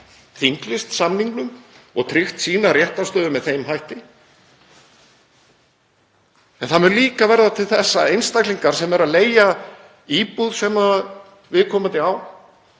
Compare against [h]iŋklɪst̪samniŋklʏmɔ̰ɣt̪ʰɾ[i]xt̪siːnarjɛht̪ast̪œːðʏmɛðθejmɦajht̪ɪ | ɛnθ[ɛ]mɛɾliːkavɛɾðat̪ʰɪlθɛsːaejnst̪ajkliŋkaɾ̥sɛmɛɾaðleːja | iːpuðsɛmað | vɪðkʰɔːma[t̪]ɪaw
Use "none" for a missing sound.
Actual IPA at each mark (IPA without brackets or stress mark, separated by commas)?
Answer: θ, ɪ, a, t̪